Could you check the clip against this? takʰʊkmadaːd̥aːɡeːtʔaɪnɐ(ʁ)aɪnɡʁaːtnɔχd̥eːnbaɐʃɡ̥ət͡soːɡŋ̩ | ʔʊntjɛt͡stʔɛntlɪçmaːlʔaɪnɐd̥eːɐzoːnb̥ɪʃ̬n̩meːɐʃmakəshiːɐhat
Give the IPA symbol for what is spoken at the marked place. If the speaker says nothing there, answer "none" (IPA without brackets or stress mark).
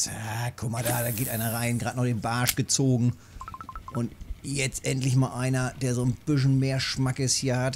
ʁ